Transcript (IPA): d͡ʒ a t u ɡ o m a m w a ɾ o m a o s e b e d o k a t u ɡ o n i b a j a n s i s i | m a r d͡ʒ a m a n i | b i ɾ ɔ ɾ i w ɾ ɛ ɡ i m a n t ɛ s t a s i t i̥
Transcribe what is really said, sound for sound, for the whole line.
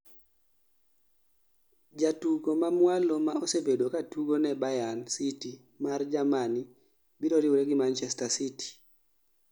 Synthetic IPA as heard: d͡ʒ a t u ɡ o m a m w a l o m a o s e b e d o k a t u ɡ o n ɛ b a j a n s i t i | m a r d͡ʒ a m a n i | b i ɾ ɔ ɾ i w ɾ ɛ ɡ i m a n t͡ʃ ɛ s t a s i t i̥